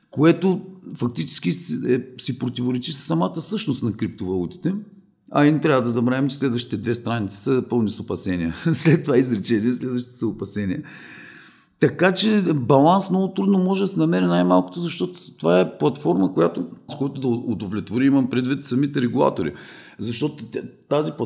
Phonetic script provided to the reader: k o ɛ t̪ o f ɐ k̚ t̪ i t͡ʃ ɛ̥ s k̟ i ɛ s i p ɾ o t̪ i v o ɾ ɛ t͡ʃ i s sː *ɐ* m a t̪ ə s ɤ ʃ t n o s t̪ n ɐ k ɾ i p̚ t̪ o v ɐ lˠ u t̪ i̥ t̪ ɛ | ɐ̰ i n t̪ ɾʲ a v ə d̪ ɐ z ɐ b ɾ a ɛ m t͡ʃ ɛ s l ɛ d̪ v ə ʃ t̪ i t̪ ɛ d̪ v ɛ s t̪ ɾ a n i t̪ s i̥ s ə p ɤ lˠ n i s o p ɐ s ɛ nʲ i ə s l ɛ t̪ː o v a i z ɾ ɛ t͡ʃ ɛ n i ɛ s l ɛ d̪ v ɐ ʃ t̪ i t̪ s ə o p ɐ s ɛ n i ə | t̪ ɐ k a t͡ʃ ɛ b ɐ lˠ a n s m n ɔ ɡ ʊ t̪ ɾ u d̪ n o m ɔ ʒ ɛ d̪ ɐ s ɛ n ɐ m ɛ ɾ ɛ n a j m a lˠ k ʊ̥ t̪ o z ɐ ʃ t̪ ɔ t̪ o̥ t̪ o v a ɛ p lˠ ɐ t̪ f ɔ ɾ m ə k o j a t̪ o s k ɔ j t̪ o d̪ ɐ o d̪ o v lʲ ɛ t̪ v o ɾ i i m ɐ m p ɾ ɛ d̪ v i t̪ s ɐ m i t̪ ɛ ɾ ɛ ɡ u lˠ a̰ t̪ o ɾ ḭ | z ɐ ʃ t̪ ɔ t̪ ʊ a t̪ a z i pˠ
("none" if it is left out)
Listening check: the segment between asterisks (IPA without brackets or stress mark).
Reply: ɐ